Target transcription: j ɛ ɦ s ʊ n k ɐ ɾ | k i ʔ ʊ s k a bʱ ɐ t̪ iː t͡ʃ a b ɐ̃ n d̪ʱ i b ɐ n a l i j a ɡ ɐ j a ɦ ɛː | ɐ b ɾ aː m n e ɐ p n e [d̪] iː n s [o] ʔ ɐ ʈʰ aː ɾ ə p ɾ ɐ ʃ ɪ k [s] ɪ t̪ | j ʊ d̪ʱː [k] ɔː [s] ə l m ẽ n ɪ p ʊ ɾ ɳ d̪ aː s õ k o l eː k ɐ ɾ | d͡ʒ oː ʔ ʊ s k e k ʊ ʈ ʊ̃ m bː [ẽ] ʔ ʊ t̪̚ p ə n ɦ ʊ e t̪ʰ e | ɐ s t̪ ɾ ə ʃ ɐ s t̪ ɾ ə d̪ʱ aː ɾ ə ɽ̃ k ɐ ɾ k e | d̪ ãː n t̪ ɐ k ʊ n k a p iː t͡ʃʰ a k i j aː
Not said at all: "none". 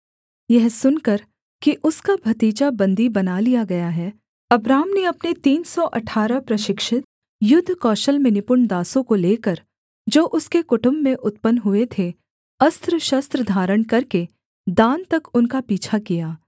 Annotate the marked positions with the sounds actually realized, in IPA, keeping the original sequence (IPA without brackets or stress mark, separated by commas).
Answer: t̪, ɔ, ʃ, k, ʃ, ẽ